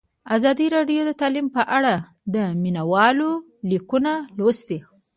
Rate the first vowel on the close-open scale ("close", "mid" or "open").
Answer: open